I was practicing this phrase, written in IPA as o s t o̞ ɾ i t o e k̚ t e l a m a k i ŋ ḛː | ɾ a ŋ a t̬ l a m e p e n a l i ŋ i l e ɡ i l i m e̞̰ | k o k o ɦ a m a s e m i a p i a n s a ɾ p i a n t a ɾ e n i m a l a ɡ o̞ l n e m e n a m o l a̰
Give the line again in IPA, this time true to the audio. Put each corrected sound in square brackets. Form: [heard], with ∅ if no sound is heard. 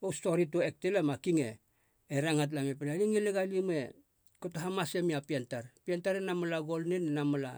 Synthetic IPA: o s t o̞ ɾ i t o e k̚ t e l a m a k i ŋ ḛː | ɾ a ŋ a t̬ l a m e p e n a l i ŋ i l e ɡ [a] l i m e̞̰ | k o [t] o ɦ a m a s e m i a p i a n [t] a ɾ p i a n t a ɾ e n [a] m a l a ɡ o̞ l n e [n] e n a m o l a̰